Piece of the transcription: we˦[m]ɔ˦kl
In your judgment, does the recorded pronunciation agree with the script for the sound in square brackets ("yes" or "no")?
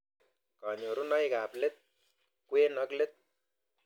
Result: no